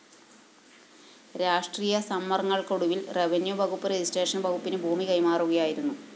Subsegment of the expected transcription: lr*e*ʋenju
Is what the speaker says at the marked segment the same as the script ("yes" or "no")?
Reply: yes